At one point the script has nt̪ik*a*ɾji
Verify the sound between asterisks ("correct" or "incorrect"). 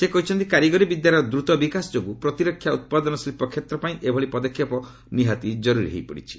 correct